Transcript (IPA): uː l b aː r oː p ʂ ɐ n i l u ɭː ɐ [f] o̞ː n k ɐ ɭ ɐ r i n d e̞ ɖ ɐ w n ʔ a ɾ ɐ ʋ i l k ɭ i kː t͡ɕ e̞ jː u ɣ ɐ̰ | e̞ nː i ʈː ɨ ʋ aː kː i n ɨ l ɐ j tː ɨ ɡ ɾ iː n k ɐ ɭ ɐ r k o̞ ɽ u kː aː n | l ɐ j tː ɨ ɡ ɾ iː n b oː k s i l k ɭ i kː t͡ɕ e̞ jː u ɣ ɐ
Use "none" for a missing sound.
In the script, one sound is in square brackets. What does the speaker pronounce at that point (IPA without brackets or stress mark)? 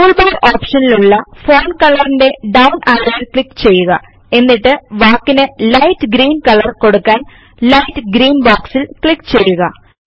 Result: f